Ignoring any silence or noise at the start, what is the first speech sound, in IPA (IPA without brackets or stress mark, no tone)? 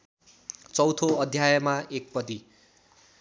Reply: t͡s